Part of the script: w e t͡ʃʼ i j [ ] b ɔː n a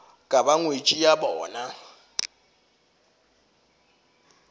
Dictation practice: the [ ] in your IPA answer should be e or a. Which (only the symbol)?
a